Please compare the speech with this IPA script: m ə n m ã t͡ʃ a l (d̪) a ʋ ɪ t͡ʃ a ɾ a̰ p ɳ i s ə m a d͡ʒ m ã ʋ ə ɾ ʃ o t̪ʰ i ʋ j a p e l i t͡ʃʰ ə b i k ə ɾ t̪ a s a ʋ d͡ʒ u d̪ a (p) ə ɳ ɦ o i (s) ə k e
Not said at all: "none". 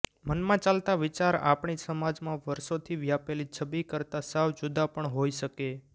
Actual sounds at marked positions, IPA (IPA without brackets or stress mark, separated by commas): t̪, p, ʃ